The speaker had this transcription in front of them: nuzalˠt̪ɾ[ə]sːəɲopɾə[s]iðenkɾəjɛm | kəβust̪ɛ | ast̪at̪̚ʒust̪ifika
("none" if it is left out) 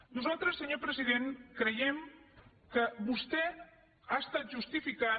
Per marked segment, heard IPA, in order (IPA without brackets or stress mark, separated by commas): ə, z